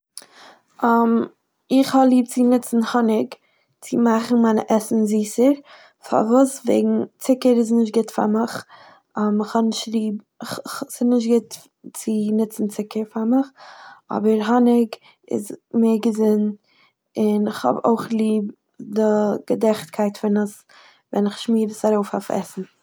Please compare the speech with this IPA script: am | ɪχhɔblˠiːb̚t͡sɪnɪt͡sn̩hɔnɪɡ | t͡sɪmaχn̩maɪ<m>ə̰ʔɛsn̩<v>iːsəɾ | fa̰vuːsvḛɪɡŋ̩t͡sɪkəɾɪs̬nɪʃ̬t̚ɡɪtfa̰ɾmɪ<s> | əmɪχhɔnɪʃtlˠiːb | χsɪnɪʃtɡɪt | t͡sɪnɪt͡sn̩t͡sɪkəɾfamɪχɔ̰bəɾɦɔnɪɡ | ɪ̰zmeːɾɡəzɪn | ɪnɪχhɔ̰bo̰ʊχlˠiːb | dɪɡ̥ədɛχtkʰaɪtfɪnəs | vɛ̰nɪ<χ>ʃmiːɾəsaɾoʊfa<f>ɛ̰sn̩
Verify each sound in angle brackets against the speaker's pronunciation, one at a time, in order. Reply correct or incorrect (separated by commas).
incorrect, incorrect, incorrect, correct, correct